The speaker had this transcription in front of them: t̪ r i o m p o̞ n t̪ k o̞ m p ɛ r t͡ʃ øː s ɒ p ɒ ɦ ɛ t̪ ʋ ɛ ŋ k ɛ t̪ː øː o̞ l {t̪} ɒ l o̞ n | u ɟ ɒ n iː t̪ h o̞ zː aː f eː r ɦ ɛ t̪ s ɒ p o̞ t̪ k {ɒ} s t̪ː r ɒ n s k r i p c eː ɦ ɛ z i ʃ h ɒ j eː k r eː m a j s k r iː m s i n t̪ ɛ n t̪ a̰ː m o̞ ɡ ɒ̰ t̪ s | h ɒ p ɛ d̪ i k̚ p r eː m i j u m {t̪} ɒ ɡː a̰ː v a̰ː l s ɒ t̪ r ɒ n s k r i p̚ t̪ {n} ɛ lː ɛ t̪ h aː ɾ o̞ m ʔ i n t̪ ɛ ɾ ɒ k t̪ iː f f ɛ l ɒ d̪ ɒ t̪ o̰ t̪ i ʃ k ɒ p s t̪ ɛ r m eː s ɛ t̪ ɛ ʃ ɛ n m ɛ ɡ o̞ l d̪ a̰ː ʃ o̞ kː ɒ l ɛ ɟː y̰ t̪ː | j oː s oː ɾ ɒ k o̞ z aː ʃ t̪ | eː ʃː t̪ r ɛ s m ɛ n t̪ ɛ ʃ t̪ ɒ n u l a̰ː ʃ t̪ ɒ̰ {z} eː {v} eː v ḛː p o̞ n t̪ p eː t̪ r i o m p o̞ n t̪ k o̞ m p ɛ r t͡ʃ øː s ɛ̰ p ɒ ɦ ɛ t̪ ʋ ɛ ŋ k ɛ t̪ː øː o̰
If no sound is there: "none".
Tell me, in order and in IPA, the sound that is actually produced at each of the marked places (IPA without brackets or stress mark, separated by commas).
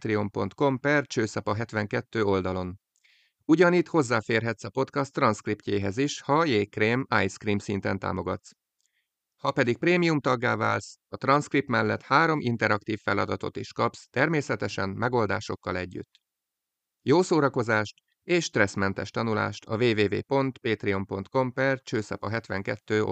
d̪, ɒ, t̪, m, v, v